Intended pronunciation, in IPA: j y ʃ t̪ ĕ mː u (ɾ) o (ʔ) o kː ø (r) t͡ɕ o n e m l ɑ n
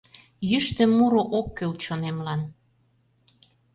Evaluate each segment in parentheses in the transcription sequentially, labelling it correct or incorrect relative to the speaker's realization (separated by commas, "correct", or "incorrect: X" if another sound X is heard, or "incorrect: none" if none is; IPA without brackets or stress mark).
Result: correct, correct, incorrect: l